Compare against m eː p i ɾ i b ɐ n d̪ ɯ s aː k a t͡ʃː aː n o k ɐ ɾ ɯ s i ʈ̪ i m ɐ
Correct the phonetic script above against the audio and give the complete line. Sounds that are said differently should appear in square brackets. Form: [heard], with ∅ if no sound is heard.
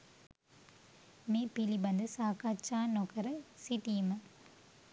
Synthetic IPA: m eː p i [l] i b ɐ n d̪ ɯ s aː k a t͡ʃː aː n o k ɐ ɾ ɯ s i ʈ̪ i m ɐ